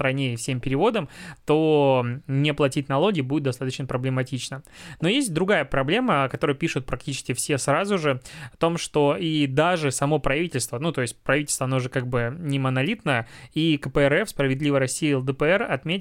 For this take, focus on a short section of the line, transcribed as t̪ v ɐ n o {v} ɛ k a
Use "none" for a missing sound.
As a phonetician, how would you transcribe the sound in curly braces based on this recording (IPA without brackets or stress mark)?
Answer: ʐ